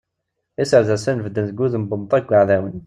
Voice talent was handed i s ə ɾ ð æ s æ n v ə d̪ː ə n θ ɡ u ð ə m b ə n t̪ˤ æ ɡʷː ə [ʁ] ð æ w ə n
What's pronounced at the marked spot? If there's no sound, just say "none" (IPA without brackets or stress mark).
ʕ